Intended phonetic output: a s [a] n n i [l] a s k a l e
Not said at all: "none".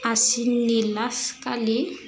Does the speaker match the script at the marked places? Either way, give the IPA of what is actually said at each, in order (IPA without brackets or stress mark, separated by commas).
i, l